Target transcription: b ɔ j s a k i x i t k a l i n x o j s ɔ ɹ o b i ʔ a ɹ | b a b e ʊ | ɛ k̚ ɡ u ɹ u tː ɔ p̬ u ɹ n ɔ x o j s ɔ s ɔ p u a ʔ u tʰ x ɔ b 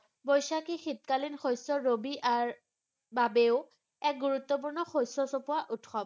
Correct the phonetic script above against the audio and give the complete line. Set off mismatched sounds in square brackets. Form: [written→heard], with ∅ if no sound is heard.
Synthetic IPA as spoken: b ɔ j s a k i x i t k a l i n x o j s ɔ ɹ o b i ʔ a ɹ | b a b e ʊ | ɛ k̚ ɡ u ɹ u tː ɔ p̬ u ɹ n ɔ x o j s ɔ s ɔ p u a ʔ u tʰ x ɔ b

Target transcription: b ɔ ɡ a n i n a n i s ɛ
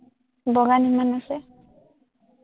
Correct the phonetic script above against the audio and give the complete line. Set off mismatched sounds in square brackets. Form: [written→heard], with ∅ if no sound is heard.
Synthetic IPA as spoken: b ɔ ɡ a n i [n→m] a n [i→a] s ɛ

